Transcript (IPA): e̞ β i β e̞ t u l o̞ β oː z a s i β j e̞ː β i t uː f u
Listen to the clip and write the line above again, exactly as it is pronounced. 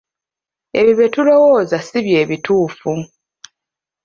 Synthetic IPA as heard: e̞ β i β e̞ t u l o̞ w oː z a s i β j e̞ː β i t uː f u